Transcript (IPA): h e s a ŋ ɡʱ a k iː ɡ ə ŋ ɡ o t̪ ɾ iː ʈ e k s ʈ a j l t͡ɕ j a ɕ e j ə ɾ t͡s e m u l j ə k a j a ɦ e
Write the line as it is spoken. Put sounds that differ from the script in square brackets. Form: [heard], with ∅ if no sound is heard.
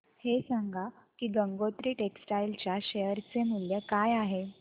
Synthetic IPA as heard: h e s a ŋ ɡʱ a k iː ɡ ə ŋ ɡ o t̪ ɾ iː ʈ e k s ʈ a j l t͡ɕ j a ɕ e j ə ɾ t͡s e m u l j ə k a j a ɦ e